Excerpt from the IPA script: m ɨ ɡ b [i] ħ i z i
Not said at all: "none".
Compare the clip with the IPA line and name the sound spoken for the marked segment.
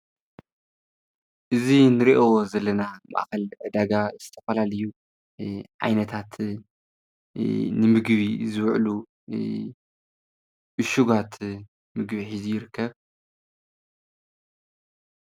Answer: i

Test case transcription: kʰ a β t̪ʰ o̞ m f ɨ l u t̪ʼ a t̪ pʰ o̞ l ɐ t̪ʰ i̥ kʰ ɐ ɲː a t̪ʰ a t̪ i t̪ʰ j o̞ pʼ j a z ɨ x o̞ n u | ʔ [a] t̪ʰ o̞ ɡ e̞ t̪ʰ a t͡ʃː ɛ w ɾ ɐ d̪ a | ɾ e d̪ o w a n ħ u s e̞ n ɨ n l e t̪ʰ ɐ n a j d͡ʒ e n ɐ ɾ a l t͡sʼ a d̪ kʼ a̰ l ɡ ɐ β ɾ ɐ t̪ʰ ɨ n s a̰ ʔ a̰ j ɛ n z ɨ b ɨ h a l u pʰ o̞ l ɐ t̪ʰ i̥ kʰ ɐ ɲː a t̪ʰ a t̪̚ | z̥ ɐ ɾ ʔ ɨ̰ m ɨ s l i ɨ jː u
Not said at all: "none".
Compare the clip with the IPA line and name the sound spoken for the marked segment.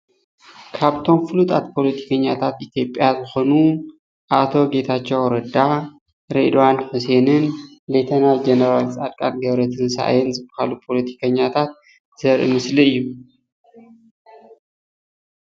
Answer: a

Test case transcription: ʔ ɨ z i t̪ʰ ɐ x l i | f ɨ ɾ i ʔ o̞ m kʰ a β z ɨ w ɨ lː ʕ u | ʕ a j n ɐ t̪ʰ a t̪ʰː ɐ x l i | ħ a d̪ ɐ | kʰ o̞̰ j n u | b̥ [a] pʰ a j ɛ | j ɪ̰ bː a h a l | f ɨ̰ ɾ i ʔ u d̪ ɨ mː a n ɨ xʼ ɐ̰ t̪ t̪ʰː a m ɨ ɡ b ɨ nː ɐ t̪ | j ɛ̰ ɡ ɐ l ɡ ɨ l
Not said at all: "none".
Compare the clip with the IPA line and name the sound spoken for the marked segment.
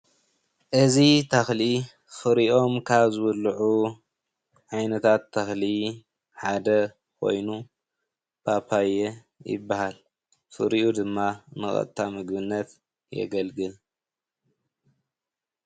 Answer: a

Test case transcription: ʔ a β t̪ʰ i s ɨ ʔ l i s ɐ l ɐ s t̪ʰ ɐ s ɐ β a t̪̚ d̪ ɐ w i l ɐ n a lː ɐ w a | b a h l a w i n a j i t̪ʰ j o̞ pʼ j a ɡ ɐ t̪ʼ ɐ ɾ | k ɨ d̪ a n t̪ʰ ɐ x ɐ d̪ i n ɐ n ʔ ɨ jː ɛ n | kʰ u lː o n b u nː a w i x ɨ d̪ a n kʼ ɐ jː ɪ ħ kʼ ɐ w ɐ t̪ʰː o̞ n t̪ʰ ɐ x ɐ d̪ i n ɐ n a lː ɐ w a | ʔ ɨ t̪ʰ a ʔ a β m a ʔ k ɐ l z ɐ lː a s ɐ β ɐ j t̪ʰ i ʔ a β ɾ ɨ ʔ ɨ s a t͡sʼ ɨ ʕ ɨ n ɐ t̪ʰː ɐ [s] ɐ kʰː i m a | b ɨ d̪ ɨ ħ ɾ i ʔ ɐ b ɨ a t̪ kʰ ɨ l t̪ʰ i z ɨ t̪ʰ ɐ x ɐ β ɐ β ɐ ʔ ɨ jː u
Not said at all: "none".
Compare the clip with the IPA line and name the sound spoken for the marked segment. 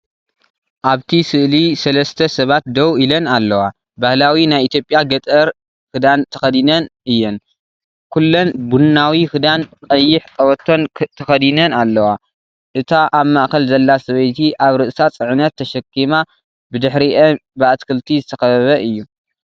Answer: ʃ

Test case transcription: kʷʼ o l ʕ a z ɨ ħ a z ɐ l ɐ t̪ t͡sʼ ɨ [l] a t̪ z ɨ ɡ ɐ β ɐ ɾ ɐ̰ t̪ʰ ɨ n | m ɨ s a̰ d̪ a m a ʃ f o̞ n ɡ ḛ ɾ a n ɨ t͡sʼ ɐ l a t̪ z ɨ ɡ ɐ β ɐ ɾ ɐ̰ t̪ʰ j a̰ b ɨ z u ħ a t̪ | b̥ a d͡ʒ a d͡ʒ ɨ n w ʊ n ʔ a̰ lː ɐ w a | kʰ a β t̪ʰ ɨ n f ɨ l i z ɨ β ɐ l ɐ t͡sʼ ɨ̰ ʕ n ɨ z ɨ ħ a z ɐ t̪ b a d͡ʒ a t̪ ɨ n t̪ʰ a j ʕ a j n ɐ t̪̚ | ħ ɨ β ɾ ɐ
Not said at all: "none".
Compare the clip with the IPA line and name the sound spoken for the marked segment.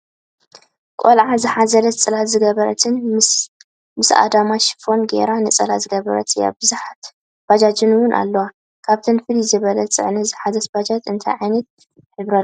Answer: l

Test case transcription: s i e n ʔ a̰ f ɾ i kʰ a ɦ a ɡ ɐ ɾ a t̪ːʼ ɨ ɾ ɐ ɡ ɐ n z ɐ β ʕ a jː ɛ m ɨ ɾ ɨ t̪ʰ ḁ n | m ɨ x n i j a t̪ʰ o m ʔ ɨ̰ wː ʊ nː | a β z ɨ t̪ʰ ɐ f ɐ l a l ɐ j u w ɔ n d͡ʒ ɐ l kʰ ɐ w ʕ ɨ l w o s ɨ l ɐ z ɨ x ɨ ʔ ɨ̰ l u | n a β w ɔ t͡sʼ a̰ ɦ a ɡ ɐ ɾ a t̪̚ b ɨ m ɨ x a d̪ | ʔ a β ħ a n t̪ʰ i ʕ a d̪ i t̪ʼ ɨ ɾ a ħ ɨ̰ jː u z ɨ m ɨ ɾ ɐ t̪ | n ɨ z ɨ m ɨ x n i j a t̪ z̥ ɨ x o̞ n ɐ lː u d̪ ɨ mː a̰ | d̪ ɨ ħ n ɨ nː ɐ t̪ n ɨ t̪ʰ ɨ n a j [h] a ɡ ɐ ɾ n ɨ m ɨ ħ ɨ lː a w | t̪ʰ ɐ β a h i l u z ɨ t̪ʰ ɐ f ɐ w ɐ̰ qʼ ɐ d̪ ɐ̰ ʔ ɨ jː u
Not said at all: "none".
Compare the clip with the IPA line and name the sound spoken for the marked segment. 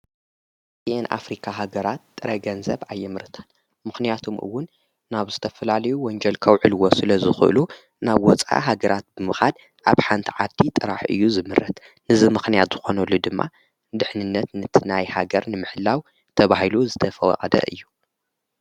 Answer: h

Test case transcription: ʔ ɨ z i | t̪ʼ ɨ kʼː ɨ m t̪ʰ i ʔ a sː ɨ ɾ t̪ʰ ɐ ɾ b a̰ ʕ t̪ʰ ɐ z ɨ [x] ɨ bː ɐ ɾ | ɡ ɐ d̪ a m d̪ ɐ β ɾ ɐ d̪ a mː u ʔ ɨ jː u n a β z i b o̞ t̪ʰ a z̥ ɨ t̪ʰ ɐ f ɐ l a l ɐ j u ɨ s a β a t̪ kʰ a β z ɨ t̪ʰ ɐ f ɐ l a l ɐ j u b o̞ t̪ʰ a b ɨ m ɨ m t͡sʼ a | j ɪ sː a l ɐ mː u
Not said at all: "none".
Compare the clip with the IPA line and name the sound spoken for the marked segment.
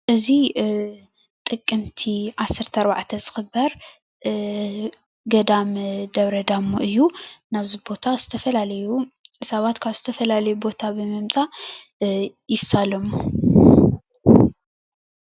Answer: x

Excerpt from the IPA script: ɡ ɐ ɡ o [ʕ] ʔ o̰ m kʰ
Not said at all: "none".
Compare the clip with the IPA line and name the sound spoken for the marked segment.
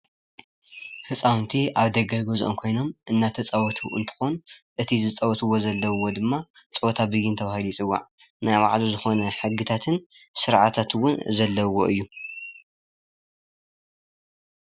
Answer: z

